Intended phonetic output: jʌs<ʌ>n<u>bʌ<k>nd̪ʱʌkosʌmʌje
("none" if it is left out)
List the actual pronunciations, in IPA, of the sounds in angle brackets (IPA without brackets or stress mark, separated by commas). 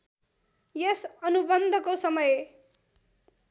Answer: ʌ, u, none